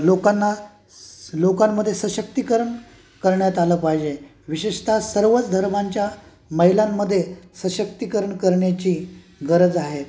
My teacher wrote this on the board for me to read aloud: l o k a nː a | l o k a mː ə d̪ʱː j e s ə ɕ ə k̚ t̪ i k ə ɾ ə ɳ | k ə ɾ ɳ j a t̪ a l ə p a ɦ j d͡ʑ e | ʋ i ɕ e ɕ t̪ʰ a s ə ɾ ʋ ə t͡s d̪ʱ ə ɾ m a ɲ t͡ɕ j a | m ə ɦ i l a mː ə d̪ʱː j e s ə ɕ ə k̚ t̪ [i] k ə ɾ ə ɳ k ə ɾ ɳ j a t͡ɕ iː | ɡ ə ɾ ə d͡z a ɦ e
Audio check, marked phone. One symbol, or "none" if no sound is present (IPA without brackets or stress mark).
i